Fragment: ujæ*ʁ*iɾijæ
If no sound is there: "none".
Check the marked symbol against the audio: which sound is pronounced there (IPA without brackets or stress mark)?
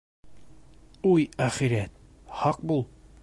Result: χ